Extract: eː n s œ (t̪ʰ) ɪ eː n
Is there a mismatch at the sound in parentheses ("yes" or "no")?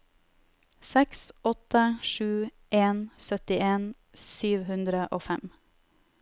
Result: yes